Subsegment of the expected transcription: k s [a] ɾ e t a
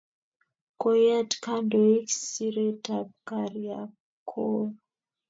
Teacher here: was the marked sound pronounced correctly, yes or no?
no